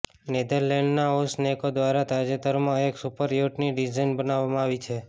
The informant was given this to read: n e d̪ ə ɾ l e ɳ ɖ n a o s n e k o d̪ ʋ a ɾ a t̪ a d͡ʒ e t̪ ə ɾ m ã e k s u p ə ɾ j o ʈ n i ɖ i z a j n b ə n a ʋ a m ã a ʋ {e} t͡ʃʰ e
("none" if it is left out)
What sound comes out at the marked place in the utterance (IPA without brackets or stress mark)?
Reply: i